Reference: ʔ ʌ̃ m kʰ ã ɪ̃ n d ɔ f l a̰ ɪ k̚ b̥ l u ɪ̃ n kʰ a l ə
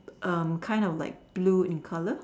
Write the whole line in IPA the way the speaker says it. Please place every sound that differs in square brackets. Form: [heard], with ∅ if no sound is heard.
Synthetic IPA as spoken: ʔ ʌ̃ m kʰ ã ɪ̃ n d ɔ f l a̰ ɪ k̚ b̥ l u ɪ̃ n kʰ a l ə